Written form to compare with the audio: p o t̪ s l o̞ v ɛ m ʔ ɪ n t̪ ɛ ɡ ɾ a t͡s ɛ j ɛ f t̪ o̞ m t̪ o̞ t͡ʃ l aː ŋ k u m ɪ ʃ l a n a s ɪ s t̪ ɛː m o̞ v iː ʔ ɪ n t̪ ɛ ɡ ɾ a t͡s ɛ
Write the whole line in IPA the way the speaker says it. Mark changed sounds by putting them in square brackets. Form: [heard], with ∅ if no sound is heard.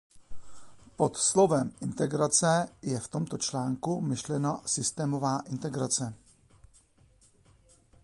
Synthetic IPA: p o t̪ s l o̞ v ɛ m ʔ ɪ n t̪ ɛ ɡ ɾ a t͡s ɛ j ɛ f t̪ o̞ m t̪ o̞ t͡ʃ l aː ŋ k u m ɪ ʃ l [ɛ] n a s ɪ s t̪ ɛː m o̞ v [aː] ʔ ɪ n t̪ ɛ ɡ ɾ a t͡s ɛ